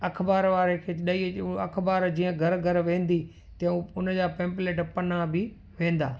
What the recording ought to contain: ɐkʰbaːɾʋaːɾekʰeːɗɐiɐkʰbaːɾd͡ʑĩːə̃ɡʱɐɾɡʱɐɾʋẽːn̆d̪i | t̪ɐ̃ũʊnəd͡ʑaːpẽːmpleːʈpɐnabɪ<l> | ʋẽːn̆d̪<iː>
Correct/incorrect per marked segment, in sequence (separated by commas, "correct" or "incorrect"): incorrect, incorrect